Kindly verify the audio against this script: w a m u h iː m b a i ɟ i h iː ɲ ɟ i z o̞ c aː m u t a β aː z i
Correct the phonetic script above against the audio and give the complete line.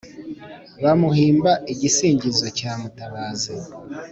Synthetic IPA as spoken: β a m u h iː m b a i ɟ i s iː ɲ ɟ i z o̞ c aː m u t a β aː z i